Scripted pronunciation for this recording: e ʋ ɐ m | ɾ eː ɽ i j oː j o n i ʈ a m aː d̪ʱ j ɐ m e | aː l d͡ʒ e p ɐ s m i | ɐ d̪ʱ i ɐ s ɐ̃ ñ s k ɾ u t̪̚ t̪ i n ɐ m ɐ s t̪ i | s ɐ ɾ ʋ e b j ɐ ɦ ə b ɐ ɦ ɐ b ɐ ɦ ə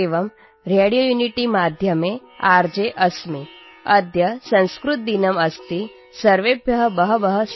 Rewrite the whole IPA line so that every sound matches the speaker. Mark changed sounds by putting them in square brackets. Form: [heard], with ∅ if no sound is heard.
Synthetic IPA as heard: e ʋ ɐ m | ɾ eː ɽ i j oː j [u] n i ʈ [i] m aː d̪ʱ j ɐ m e | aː [ɾ] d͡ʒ e [ʔ] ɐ s m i | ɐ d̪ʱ [j] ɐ s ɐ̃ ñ s k ɾ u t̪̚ [d̪] i n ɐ m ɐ s t̪ i | s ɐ ɾ ʋ e b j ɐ ɦ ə b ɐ ɦ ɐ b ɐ ɦ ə

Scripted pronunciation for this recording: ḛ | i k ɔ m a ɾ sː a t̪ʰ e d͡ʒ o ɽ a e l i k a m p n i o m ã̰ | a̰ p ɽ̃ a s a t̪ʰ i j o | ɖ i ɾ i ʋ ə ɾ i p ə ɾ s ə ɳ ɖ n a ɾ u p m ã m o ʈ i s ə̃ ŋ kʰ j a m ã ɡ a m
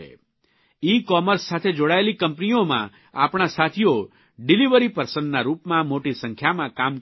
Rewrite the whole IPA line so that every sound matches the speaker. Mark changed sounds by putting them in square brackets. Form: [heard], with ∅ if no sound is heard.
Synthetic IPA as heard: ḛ | i k ɔ m [ə] ɾ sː a t̪ʰ e d͡ʒ o ɽ a e l i k [ə] m p n i o m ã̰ | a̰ p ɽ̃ a s a t̪ʰ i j o | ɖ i [l] i ʋ ə ɾ i p ə ɾ s ə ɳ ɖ n a ɾ u p m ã m o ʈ i s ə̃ ŋ kʰ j a m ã [k] a m

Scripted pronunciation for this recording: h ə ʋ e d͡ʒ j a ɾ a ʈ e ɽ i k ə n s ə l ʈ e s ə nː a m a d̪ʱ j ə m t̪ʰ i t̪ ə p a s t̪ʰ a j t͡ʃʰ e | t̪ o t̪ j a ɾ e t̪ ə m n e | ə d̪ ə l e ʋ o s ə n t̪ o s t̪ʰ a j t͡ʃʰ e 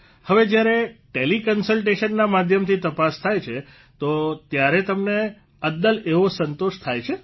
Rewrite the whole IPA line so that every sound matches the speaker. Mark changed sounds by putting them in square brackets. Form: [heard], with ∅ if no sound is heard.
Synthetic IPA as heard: h ə ʋ e d͡ʒ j a ɾ [e] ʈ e [l] i k ə n s ə l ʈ e [ʃ] ə nː a m a d̪ʱ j ə m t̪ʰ i t̪ ə p a s t̪ʰ a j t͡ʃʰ e | t̪ o t̪ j a ɾ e t̪ ə m n e | ə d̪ ə l e ʋ o s ə n t̪ o [ʃ] t̪ʰ a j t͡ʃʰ e

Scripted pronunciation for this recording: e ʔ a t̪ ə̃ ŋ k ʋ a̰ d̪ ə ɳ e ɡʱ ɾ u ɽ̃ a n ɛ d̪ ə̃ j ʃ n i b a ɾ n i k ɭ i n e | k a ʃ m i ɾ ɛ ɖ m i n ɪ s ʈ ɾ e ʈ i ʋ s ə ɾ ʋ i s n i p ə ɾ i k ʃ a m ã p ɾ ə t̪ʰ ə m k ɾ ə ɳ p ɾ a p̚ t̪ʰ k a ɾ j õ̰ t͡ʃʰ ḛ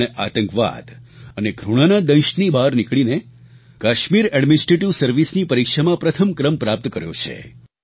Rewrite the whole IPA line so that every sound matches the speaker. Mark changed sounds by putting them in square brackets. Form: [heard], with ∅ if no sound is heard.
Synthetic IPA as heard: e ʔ a t̪ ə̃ ŋ k ʋ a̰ d̪ ə [n] e ɡʱ ɾ u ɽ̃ a n [a] d̪ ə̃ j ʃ n i b a ɾ n i k ɭ i n e | k a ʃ m i ɾ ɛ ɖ m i n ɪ s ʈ ɾ e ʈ i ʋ s ə ɾ ʋ i s n i p ə ɾ i k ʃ a m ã p ɾ ə t̪ʰ ə m k ɾ ə [m] p ɾ a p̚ [t̪] k [ə] ɾ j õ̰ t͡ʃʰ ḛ

